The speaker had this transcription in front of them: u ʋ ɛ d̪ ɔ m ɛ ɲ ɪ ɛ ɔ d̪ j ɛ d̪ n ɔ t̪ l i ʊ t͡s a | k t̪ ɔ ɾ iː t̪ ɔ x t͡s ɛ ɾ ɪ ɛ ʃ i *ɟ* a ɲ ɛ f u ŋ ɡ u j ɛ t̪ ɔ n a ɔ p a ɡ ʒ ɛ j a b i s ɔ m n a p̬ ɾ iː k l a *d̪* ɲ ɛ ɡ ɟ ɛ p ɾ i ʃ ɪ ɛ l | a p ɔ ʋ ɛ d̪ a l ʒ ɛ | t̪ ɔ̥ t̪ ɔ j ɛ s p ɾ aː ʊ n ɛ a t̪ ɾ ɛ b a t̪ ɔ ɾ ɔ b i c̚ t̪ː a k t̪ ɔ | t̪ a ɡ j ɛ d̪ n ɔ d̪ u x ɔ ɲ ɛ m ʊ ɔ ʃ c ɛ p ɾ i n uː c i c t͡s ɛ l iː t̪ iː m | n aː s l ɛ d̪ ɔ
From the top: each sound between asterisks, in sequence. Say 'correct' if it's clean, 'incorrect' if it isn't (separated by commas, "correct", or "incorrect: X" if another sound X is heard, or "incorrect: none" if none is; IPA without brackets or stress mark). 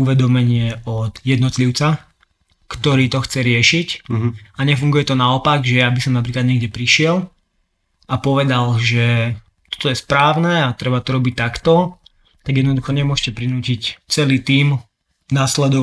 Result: incorrect: c, correct